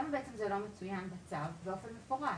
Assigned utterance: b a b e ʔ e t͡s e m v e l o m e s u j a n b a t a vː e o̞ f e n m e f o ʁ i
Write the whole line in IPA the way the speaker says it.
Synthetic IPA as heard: m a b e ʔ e t͡s e m z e l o m e t͡s u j a n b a t͡s a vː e o̞ f e n m e f o ʁ a